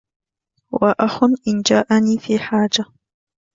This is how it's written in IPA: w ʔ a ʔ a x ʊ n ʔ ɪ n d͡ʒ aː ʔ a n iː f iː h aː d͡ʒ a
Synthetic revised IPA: w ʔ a ʔ a x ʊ n ʔ ɪ n d͡ʒ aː ʔ a n iː f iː ħ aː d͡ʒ a